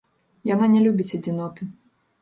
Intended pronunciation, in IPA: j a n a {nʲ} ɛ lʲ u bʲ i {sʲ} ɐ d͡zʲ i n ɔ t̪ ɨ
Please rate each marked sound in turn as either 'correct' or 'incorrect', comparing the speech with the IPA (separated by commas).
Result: correct, incorrect